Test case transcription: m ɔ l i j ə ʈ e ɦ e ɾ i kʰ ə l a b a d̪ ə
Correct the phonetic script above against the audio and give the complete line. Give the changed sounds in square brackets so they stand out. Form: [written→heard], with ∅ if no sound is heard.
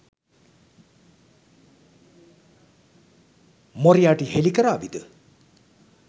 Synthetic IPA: m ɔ [l→ɾ] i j [ə→a] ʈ [e→i] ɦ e [ɾ→l] i [kʰ→k] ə [l→ɾ] a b [a→i] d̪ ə